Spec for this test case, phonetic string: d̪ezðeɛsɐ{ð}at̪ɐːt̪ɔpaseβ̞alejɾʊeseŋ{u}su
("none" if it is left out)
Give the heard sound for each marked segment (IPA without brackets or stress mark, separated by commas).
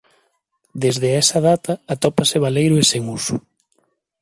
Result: ð, u